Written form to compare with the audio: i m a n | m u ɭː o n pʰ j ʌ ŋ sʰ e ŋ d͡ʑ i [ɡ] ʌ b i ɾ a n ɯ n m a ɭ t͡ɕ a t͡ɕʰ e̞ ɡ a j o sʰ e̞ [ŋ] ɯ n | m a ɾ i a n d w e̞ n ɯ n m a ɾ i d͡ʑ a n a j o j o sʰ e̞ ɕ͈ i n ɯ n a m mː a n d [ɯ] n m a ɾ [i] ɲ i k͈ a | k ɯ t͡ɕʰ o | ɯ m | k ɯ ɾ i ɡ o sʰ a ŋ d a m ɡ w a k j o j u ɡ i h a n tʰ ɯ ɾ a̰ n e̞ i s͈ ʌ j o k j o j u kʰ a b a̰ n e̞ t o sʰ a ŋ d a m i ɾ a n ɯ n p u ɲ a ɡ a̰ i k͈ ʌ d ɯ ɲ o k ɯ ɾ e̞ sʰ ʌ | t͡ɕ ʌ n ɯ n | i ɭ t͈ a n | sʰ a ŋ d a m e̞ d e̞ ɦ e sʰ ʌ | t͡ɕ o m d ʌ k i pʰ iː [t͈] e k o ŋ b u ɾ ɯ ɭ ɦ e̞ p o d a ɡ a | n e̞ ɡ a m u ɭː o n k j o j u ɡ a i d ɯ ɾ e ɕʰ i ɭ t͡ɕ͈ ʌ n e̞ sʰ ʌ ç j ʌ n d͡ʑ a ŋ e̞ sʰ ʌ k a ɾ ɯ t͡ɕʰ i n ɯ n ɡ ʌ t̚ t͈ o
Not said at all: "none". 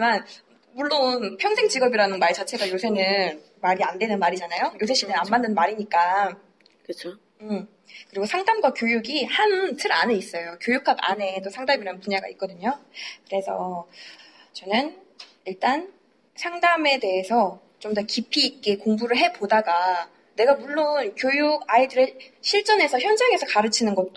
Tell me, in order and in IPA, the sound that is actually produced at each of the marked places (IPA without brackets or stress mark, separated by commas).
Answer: ɡ, n, ɯ, i, k͈